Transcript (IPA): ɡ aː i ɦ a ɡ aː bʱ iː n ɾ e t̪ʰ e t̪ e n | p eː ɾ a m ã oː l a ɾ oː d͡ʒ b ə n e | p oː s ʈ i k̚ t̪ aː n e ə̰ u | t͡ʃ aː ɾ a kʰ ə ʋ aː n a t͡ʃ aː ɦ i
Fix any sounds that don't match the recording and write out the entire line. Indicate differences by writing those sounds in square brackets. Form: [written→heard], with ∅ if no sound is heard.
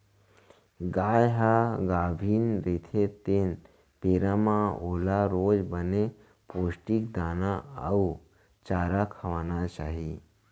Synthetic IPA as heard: ɡ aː [i→j] ɦ a ɡ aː bʱ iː n ɾ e t̪ʰ e t̪ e n | p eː ɾ a m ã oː l a ɾ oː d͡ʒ b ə n e | p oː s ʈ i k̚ [t̪→d̪] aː n [e→a] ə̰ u | t͡ʃ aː ɾ a kʰ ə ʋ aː n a t͡ʃ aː ɦ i